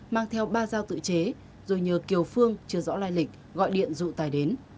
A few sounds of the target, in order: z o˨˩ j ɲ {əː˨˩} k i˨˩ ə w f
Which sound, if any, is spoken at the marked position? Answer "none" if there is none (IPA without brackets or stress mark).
əː˨˩